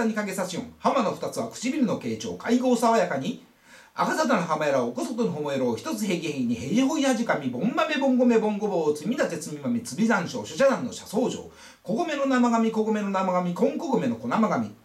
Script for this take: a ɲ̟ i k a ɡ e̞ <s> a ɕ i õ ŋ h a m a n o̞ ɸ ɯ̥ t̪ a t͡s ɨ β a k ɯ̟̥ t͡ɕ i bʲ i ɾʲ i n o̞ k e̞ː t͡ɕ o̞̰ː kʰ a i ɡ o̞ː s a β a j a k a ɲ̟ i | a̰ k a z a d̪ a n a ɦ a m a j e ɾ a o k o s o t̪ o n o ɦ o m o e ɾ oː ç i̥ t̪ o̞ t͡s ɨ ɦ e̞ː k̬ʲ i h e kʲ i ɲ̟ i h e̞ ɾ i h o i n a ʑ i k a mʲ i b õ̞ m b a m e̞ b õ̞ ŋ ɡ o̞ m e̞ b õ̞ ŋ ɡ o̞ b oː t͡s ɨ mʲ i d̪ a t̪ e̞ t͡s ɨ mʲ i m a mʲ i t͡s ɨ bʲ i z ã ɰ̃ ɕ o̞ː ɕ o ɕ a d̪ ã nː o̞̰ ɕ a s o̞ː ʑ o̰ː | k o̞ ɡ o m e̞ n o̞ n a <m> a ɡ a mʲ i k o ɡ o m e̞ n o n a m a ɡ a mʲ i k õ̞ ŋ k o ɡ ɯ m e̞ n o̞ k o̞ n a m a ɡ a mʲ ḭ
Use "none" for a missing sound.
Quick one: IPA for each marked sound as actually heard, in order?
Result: s, m

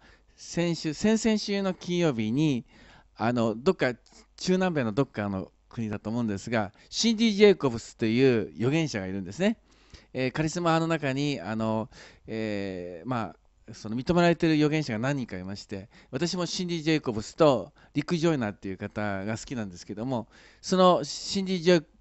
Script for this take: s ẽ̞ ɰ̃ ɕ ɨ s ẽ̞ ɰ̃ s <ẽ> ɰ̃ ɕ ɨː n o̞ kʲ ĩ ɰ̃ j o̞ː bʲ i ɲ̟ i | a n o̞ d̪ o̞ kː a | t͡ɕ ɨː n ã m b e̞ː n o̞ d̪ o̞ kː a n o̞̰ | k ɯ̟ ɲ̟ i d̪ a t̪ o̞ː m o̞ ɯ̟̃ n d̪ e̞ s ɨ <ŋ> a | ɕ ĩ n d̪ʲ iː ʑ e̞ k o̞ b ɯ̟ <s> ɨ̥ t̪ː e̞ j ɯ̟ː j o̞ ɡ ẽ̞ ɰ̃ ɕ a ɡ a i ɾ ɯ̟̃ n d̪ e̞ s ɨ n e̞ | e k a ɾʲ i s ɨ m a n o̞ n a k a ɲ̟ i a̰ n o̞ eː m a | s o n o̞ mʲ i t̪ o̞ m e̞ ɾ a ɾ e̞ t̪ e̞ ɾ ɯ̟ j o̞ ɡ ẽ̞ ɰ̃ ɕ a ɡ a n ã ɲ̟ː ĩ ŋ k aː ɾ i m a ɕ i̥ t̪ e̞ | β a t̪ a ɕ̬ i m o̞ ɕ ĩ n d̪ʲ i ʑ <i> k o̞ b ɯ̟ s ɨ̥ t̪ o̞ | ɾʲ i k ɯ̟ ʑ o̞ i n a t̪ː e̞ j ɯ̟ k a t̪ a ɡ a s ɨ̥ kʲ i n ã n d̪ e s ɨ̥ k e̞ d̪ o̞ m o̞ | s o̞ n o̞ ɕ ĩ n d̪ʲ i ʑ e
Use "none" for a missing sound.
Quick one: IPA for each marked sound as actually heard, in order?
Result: ẽ, ɡ, s, e

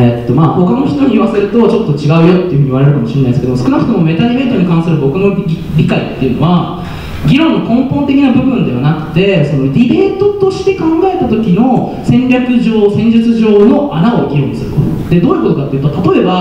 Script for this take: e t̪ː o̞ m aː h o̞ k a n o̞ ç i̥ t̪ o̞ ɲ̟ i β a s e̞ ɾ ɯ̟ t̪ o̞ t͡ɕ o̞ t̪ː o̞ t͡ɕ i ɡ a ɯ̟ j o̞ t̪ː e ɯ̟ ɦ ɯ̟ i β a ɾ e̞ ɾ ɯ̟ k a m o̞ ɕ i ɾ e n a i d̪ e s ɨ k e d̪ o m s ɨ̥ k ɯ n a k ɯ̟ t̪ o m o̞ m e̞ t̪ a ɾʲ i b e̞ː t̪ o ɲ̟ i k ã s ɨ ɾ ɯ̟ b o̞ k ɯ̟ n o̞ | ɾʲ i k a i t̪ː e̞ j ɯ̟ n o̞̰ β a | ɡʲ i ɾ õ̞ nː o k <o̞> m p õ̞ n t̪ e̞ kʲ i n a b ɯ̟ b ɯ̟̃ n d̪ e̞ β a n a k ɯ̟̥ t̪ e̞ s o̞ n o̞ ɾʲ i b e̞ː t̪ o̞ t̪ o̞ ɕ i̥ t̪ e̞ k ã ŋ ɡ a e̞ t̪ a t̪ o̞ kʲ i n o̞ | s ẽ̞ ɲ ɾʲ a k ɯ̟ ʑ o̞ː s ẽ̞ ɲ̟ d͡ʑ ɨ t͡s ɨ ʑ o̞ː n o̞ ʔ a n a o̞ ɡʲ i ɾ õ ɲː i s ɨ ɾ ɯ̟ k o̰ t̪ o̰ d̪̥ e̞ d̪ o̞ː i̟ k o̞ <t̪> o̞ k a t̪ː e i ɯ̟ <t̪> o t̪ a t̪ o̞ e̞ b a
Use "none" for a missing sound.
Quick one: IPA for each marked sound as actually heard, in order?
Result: õ̞, t̪, t̪

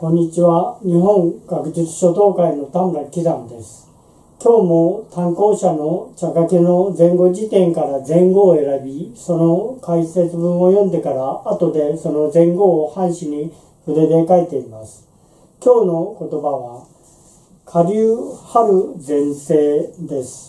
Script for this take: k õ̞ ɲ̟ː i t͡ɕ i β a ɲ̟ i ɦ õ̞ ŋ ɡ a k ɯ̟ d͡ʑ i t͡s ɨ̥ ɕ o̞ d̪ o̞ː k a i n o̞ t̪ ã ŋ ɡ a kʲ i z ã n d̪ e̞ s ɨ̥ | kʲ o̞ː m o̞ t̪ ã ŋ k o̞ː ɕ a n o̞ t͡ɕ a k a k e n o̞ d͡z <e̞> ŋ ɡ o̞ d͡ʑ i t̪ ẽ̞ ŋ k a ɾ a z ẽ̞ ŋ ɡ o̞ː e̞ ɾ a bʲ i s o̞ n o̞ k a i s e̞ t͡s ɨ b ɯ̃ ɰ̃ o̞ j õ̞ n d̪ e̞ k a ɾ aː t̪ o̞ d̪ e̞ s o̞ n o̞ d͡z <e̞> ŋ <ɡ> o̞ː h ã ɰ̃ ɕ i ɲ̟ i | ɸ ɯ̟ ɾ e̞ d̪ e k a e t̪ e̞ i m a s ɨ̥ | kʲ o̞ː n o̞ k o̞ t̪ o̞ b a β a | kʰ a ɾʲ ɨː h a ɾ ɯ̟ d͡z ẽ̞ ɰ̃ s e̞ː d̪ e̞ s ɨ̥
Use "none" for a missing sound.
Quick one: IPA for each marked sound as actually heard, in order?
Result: ẽ̞, ẽ̞, ɡ

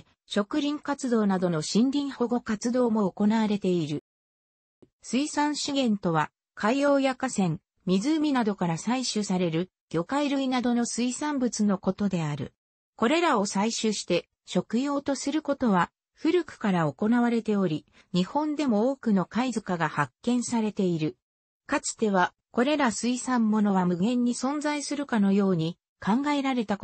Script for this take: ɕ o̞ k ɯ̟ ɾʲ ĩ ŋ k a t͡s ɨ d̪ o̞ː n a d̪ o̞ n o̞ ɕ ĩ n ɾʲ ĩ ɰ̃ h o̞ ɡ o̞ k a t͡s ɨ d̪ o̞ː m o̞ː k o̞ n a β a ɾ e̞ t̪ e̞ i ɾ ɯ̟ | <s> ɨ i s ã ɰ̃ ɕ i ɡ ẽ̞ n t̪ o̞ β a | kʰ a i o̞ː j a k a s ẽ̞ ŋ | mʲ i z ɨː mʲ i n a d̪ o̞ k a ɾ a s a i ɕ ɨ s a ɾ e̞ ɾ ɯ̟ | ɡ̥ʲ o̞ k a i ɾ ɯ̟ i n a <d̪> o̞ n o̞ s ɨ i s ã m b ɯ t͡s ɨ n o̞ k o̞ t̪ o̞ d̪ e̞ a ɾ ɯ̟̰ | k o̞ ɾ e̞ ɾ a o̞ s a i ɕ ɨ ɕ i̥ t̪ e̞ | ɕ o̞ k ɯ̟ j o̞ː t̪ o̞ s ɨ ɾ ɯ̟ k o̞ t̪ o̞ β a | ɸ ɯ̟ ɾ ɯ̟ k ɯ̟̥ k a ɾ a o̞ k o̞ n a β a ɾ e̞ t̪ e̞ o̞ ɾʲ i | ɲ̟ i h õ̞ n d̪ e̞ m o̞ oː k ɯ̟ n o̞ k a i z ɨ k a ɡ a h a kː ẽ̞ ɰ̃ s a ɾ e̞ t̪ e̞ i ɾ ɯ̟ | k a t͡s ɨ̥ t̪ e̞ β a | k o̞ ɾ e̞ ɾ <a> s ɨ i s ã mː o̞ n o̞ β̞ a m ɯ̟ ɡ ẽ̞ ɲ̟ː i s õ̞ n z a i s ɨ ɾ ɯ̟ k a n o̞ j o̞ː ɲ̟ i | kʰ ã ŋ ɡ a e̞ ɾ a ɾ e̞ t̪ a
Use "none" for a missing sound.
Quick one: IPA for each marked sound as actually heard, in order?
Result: s, d̪, a

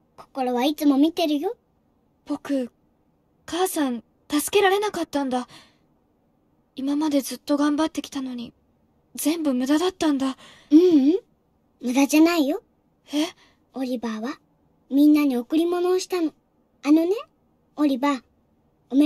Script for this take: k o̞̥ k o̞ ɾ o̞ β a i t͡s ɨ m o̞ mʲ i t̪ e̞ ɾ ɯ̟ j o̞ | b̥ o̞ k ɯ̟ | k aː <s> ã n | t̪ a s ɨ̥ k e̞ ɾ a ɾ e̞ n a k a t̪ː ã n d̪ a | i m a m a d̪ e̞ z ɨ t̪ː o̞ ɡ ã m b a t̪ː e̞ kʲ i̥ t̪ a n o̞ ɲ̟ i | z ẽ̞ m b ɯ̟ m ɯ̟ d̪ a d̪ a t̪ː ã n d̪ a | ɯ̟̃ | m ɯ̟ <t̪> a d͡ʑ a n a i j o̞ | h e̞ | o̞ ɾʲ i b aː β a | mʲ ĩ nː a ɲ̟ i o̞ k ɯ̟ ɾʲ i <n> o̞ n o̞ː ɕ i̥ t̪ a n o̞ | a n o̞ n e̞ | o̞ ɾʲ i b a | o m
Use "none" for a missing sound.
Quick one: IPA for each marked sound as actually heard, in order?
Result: s, d̪, m

